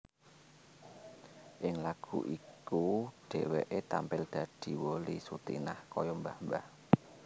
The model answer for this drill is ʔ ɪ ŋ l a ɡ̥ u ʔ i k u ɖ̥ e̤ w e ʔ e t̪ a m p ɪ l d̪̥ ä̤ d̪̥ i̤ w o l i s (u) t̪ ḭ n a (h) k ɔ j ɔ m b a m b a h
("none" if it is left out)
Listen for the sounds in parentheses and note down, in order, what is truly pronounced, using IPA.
u, h

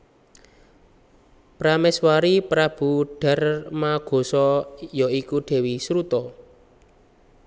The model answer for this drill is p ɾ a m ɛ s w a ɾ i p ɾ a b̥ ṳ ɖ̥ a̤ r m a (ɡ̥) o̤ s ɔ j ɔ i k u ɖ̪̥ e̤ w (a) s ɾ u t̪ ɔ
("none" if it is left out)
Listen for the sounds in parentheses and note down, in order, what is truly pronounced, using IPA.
ɡ̥, i

